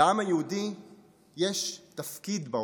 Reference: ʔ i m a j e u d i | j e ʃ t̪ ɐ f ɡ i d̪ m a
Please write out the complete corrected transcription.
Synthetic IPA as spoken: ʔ a m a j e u d i | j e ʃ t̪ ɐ f k i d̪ b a